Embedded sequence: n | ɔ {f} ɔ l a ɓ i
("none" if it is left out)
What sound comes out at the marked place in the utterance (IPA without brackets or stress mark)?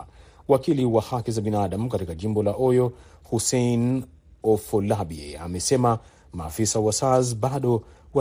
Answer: f